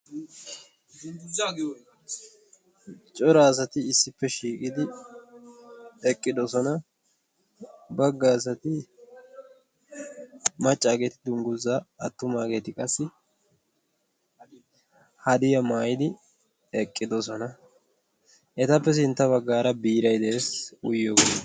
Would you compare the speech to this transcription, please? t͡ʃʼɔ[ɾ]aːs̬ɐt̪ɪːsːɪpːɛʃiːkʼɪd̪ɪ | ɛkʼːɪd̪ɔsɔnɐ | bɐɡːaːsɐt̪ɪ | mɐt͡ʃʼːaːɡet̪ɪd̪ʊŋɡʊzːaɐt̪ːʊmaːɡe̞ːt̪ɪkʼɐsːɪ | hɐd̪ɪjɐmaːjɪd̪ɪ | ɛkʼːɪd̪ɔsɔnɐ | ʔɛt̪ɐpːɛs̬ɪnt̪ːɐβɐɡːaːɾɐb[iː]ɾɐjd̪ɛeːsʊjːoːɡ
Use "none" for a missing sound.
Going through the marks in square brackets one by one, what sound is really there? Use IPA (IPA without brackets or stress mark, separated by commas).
ɾ, iː